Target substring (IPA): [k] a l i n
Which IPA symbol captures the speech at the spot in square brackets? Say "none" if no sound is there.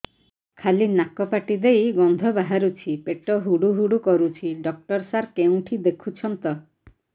kʰ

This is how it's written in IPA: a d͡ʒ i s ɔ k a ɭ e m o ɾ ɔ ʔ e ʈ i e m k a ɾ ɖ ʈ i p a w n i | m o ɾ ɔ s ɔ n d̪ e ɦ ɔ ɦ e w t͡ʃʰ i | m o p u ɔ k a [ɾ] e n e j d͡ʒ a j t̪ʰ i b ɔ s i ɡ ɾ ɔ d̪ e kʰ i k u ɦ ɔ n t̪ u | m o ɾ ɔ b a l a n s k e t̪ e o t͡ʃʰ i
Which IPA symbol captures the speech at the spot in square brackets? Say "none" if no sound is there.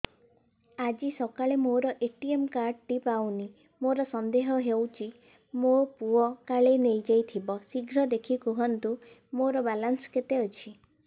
ɭ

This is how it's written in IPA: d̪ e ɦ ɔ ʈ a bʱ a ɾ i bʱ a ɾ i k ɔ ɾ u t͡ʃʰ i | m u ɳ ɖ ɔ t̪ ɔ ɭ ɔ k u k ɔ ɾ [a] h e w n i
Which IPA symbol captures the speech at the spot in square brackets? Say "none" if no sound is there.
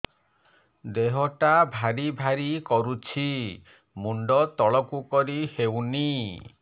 i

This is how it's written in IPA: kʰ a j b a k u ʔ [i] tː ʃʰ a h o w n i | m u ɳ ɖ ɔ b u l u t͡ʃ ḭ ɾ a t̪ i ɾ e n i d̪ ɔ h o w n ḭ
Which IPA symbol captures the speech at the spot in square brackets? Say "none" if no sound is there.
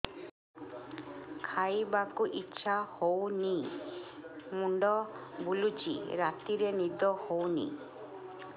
i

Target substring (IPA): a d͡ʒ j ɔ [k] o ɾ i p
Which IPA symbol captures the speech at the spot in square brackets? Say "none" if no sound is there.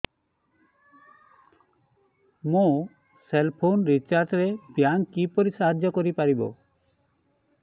k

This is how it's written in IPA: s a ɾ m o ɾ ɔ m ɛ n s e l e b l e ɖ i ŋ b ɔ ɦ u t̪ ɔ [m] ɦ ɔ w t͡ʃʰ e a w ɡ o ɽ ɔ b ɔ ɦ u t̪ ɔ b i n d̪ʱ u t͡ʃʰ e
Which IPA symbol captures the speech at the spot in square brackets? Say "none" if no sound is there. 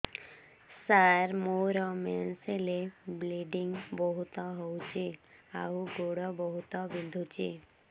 none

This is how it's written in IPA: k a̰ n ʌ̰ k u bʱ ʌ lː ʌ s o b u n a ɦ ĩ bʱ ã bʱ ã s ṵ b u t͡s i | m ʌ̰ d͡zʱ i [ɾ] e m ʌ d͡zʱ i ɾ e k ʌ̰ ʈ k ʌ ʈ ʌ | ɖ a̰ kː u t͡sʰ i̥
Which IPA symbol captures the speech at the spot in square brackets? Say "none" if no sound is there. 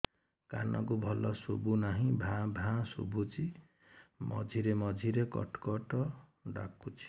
ɾ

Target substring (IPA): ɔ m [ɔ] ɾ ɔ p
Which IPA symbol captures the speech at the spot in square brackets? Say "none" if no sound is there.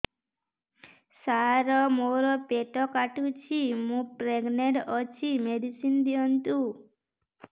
o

